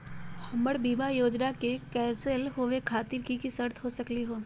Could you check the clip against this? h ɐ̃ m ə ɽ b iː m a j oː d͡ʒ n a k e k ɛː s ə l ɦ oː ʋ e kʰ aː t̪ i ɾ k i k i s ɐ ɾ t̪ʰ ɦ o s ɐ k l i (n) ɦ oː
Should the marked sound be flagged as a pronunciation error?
yes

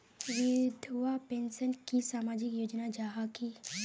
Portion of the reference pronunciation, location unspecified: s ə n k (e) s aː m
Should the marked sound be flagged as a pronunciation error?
yes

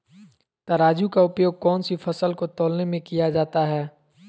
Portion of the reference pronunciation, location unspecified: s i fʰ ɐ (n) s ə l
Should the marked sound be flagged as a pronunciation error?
yes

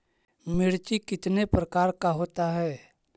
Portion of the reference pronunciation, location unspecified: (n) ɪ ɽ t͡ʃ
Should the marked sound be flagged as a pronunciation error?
yes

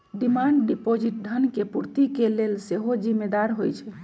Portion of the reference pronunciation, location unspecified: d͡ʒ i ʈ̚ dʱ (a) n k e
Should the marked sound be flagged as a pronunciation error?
yes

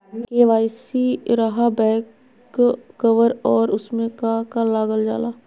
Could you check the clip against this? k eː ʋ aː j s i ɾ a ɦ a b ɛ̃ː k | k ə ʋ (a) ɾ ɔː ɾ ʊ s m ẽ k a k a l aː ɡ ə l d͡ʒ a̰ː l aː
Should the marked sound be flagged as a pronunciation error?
yes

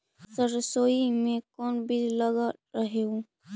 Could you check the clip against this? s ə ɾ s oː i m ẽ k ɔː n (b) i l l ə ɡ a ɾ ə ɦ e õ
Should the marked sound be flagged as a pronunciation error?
no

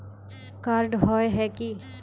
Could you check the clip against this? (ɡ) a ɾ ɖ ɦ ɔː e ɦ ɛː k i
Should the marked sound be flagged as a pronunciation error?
yes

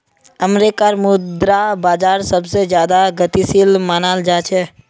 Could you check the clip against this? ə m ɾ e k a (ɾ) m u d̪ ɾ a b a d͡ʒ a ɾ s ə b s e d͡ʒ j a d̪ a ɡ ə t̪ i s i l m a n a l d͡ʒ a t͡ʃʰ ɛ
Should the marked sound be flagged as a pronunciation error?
no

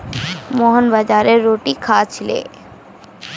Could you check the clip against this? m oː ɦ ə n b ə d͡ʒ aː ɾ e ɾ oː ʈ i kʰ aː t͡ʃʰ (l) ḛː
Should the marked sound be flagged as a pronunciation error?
no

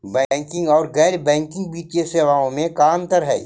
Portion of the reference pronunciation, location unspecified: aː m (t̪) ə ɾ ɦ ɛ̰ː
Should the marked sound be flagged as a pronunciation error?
no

